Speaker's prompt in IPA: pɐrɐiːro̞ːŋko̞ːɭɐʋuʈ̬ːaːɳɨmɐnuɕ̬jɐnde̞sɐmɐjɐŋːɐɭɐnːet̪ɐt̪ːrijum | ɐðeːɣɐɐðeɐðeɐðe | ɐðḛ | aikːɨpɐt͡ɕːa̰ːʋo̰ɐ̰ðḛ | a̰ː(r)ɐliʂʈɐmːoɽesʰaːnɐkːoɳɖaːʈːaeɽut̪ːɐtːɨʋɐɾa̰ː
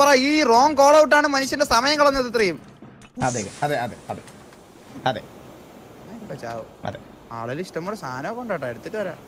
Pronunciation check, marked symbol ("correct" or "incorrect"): incorrect